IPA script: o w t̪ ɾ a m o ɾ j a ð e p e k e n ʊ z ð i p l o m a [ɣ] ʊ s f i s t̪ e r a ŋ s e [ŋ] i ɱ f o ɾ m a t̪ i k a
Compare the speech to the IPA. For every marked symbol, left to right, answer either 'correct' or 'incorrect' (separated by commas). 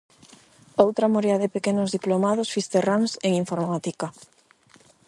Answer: incorrect, correct